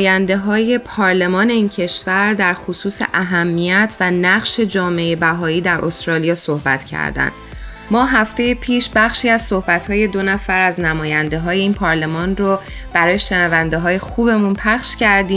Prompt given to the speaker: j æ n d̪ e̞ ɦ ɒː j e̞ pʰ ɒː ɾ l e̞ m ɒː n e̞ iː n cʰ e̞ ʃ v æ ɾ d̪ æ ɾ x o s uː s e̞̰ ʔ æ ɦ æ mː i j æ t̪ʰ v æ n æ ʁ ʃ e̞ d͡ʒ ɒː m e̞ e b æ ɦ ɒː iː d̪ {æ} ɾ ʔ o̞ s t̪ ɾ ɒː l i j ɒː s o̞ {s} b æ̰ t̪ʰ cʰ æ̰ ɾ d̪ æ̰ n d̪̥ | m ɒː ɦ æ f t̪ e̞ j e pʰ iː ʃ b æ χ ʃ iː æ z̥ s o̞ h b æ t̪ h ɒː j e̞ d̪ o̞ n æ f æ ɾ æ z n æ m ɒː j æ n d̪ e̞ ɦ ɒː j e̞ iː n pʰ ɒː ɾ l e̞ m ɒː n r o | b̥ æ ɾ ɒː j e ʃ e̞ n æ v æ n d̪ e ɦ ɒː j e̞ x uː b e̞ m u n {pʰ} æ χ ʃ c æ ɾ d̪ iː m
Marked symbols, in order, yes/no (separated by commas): yes, no, yes